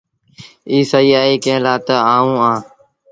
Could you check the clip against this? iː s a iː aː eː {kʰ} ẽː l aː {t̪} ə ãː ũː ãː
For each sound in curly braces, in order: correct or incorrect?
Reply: incorrect: k, correct

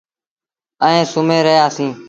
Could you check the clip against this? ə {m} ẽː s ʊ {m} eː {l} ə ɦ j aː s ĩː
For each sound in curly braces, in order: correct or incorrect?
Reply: incorrect: none, correct, incorrect: ɾ

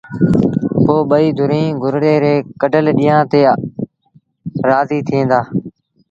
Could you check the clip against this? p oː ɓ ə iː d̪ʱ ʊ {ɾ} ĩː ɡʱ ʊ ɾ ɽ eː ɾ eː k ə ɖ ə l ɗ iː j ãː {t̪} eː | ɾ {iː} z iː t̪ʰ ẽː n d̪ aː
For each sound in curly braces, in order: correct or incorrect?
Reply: correct, correct, incorrect: aː

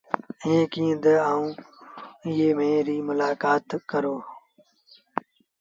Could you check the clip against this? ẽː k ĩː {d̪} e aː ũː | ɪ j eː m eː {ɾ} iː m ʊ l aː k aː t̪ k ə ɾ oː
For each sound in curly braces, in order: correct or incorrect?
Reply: correct, correct

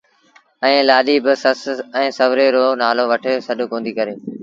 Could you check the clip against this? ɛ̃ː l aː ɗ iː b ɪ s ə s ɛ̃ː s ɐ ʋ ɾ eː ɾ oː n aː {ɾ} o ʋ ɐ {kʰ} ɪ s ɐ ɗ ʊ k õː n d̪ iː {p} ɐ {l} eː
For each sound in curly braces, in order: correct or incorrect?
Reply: incorrect: l, incorrect: ʈʰ, incorrect: k, incorrect: ɾ

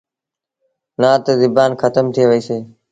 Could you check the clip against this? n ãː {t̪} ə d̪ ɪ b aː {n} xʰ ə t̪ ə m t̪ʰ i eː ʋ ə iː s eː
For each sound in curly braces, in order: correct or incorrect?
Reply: correct, correct

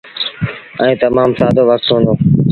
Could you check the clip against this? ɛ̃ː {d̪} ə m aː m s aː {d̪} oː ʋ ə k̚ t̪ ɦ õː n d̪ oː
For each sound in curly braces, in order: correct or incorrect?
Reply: incorrect: t̪, correct

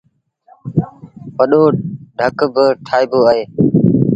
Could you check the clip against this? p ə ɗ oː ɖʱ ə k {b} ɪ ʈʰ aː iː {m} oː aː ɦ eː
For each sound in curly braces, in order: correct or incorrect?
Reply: correct, incorrect: b

